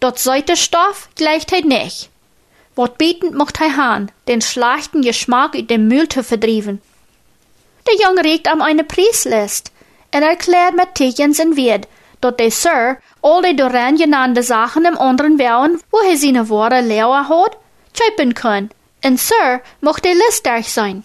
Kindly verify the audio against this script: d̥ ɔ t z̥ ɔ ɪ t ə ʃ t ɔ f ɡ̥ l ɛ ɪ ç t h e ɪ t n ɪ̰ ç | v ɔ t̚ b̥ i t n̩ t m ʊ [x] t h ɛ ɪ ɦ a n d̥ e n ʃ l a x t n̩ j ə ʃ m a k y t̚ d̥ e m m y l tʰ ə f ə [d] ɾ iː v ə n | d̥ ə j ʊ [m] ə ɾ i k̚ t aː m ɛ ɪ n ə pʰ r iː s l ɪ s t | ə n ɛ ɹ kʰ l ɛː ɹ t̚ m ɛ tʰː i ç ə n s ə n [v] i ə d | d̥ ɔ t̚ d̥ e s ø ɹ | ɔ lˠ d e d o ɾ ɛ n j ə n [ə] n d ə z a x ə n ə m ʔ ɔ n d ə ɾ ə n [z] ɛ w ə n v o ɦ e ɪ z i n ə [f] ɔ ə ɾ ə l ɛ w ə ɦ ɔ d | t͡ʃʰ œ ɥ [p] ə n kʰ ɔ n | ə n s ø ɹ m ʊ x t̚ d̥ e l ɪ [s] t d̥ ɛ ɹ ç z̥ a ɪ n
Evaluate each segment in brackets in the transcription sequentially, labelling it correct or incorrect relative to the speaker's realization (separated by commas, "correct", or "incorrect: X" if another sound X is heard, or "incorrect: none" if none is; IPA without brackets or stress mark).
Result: correct, correct, incorrect: ŋ, correct, incorrect: a, incorrect: v, incorrect: v, correct, correct